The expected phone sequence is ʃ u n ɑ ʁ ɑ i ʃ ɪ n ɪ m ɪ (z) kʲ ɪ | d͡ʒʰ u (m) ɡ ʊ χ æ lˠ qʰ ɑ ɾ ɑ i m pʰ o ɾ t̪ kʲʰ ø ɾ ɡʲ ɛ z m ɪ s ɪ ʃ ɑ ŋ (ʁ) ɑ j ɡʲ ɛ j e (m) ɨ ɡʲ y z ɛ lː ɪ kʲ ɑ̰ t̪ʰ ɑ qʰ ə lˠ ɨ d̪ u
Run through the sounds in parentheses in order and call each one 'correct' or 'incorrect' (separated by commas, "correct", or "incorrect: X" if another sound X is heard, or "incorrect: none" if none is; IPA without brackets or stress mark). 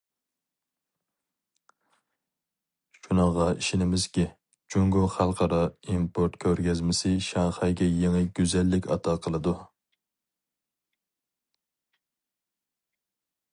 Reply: correct, incorrect: ŋ, incorrect: χ, incorrect: ŋ